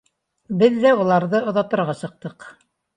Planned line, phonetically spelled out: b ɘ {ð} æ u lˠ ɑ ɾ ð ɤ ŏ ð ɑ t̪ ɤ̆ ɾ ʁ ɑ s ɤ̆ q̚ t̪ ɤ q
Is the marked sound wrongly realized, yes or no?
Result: yes